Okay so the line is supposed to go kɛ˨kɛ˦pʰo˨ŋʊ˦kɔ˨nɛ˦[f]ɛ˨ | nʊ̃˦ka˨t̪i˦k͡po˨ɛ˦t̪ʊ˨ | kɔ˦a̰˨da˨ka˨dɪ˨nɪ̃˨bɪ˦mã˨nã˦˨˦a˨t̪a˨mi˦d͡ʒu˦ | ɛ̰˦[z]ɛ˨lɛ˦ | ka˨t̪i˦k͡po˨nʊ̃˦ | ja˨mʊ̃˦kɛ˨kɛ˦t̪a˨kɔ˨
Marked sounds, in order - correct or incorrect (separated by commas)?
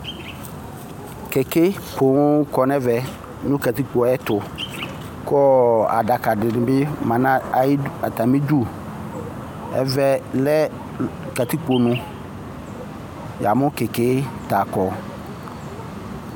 incorrect, incorrect